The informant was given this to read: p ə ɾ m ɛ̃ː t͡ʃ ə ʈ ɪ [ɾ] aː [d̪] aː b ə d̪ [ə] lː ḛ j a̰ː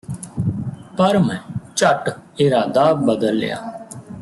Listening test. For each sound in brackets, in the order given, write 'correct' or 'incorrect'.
correct, correct, correct

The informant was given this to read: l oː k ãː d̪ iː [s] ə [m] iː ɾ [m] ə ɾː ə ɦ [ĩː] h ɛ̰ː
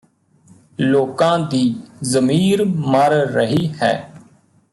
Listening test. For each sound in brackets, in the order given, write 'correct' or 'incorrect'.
incorrect, correct, correct, incorrect

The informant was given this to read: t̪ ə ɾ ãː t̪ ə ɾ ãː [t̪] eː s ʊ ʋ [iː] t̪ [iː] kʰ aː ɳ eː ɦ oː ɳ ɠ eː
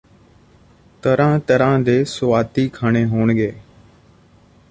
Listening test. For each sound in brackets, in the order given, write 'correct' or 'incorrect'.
incorrect, incorrect, correct

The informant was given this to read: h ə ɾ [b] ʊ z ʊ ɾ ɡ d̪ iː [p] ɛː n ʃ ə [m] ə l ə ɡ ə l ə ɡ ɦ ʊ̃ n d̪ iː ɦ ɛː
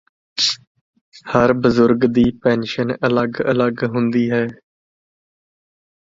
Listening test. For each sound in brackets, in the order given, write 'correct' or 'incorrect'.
correct, correct, incorrect

